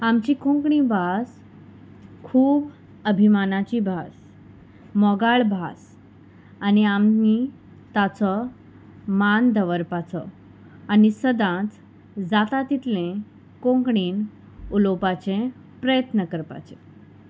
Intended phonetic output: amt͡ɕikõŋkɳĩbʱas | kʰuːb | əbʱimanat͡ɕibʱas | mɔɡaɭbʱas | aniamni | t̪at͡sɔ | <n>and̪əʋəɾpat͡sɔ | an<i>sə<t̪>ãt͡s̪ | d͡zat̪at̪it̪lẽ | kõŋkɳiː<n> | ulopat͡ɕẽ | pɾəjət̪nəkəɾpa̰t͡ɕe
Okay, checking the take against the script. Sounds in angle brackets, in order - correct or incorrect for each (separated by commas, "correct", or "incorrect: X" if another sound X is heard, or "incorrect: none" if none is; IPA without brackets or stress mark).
incorrect: m, correct, incorrect: d̪, correct